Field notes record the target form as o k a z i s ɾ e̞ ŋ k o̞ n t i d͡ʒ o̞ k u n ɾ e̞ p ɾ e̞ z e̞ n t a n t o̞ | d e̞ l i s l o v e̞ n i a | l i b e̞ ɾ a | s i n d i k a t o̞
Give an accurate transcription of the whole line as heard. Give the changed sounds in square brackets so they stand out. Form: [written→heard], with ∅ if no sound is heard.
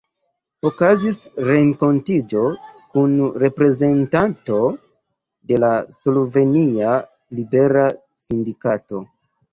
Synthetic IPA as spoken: o k a z i s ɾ e̞ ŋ k o̞ n t i d͡ʒ o̞ k u n ɾ e̞ p ɾ e̞ z e̞ n t a n t o̞ | d e̞ l [i→a] s l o v e̞ n i a | l i b e̞ ɾ a | s i n d i k a t o̞